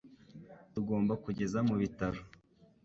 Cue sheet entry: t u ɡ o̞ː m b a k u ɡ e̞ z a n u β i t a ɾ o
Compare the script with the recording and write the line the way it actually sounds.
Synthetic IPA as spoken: t u ɡ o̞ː m b a k u ɟ e̞ z a m u β i t a ɾ o